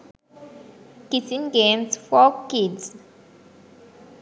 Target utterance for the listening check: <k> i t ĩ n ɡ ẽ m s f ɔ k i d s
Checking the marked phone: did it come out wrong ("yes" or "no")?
no